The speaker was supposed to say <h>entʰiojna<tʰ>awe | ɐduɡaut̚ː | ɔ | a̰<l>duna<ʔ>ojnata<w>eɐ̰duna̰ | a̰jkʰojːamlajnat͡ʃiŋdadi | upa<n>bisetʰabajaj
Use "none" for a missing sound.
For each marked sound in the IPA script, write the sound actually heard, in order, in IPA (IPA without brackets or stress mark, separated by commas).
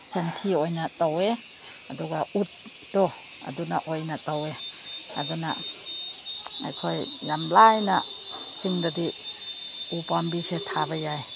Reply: s, t, none, ʔ, w, m